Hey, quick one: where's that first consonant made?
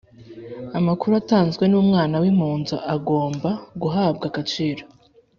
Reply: lips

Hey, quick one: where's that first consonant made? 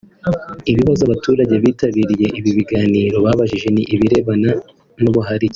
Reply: lips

